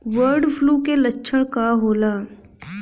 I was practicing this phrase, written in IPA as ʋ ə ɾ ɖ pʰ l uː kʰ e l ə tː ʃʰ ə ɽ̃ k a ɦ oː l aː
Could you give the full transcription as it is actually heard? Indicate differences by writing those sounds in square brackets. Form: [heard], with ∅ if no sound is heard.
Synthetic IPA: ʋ ə ɾ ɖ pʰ l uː [k] e l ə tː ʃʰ ə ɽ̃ k a ɦ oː l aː